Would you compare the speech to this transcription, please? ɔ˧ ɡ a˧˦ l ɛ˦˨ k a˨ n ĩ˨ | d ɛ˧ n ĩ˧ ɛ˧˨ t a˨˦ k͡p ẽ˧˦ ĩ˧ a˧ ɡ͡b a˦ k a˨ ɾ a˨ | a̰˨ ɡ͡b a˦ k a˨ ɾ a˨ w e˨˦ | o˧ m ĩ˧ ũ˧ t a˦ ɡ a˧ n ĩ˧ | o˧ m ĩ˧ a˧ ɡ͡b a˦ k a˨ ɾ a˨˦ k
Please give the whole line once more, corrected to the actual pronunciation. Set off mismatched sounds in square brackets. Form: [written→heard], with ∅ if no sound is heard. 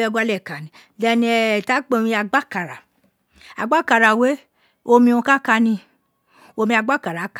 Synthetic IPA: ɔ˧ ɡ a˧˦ l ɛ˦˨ k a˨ n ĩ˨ | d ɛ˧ n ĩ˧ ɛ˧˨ t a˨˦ k͡p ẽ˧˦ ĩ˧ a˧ ɡ͡b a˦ k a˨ ɾ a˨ | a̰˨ ɡ͡b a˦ k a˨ ɾ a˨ w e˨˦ | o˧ m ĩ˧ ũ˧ [t→k] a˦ [ɡ→k] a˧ n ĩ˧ | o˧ m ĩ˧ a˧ ɡ͡b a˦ k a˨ ɾ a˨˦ k